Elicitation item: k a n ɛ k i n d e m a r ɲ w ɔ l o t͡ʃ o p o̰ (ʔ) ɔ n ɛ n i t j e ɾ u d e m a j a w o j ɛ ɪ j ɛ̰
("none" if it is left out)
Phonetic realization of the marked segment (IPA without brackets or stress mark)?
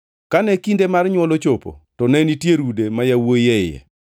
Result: t